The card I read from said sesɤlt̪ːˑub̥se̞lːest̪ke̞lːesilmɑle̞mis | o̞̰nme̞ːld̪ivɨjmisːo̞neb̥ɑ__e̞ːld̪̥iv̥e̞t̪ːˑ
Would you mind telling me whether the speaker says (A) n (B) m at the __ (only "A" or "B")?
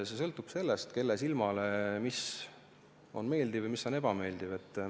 B